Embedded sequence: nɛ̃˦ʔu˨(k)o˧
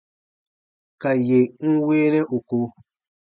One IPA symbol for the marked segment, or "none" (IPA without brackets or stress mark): k